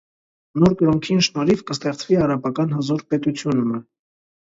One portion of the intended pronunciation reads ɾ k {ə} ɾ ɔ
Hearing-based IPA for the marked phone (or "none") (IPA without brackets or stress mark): ə